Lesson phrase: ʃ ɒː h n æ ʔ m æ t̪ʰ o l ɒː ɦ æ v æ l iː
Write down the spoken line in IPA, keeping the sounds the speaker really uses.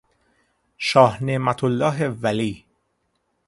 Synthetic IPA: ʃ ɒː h n e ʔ m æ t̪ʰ o lː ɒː ɦ e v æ l iː